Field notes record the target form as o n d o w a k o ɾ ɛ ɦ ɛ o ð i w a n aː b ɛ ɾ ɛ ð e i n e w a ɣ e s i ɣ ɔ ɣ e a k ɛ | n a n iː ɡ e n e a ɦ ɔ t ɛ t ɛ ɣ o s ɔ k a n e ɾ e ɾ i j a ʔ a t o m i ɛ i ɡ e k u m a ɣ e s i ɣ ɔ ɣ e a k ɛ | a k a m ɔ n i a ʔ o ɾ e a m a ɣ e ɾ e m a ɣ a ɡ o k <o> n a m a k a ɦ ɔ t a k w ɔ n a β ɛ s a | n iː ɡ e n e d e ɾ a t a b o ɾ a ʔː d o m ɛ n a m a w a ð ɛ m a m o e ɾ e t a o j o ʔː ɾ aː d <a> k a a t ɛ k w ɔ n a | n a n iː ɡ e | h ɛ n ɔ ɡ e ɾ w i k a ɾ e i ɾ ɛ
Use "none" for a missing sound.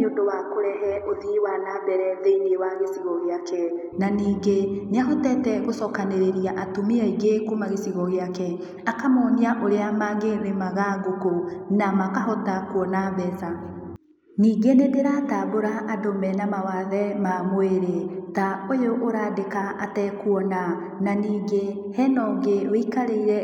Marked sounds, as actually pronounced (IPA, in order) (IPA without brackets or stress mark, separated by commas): o, e